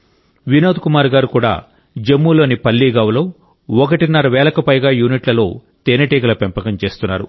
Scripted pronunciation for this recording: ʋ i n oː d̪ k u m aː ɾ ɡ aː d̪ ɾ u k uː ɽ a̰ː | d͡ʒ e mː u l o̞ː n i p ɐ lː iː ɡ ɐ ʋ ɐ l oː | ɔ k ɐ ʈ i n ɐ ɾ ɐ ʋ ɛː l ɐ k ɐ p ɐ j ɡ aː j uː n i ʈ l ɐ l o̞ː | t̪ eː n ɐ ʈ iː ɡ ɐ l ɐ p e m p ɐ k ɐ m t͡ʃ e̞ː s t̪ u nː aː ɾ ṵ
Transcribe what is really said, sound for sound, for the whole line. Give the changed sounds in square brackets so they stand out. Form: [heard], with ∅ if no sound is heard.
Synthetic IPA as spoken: ʋ i n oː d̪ k u m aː ɾ ɡ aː [∅] ɾ u k uː ɽ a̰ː | d͡ʒ e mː u l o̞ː n i p ɐ lː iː ɡ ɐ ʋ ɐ l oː | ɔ k ɐ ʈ i n ɐ ɾ ɐ ʋ ɛː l ɐ k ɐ p ɐ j ɡ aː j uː n i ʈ l ɐ l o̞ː | t̪ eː n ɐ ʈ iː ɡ ɐ l ɐ p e m p ɐ k ɐ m t͡ʃ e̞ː s t̪ u nː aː ɾ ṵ